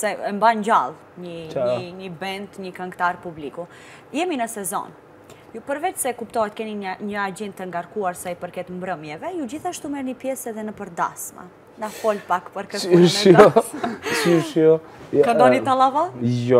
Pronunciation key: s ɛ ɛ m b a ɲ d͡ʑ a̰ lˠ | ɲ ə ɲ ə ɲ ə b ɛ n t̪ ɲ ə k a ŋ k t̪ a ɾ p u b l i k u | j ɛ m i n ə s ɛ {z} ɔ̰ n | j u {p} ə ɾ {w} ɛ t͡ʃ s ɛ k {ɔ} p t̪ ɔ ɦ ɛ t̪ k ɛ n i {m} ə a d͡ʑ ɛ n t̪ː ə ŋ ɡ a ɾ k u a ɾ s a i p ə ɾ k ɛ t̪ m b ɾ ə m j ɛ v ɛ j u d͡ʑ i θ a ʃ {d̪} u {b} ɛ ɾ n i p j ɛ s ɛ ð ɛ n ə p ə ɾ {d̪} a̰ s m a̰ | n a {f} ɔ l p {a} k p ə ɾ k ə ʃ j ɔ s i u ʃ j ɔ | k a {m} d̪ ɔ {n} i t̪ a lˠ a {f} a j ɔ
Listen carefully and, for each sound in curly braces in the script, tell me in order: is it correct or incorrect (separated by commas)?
correct, correct, incorrect, incorrect, incorrect, incorrect, incorrect, correct, correct, correct, incorrect, correct, incorrect